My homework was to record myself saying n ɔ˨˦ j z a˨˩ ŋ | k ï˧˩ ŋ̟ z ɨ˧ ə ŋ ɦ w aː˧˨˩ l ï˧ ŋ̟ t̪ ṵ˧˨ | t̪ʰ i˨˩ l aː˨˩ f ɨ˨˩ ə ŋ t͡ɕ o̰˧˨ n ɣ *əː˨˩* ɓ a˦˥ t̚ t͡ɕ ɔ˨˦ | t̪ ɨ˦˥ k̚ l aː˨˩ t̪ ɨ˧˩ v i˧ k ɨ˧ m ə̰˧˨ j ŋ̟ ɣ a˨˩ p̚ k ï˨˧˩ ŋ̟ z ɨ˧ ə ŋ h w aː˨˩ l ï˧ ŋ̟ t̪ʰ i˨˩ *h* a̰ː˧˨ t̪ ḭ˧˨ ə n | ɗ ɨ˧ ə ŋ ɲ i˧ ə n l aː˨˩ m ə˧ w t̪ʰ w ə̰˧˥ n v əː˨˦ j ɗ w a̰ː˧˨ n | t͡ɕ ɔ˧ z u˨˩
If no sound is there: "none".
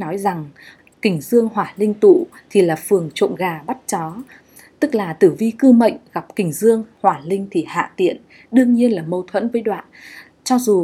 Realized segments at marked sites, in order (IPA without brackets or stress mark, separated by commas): aː˨˩, h